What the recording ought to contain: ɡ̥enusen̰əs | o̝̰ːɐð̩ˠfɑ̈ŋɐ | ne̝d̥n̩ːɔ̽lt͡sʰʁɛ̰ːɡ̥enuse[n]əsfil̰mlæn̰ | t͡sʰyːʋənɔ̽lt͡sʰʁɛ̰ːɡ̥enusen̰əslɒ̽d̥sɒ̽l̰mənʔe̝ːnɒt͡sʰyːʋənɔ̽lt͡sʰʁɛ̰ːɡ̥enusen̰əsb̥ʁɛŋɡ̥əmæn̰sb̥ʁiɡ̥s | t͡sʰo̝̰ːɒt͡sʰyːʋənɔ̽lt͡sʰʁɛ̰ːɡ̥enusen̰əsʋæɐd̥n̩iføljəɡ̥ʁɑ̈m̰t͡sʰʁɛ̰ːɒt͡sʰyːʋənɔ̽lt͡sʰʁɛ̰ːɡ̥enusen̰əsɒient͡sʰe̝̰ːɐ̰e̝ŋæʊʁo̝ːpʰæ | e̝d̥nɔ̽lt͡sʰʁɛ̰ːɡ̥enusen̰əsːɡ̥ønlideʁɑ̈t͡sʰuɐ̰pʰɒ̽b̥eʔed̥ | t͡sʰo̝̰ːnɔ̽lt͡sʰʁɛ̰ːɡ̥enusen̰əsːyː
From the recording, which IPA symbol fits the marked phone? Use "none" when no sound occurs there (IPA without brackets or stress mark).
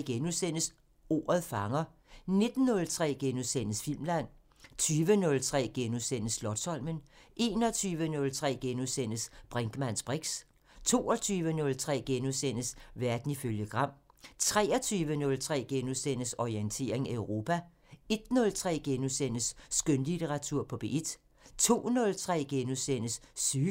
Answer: n